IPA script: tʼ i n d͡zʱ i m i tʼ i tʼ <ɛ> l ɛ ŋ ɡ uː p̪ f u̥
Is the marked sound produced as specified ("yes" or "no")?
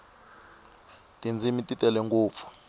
yes